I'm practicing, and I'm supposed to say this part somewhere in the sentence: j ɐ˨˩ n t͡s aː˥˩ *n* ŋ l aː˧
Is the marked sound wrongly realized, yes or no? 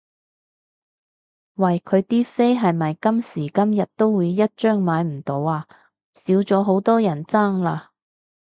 yes